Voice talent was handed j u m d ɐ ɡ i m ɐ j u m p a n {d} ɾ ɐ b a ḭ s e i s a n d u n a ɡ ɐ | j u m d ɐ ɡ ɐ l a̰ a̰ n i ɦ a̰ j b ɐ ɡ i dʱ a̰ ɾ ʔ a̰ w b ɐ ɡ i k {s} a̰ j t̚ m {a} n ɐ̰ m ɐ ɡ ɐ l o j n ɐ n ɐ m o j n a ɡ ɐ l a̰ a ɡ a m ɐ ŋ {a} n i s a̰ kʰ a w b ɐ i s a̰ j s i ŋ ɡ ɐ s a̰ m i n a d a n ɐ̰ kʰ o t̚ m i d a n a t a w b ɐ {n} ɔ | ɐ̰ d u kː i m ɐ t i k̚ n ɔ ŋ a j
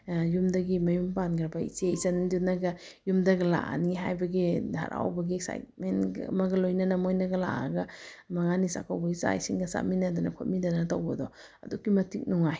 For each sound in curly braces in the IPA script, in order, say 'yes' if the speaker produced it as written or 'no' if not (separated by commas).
no, yes, no, yes, no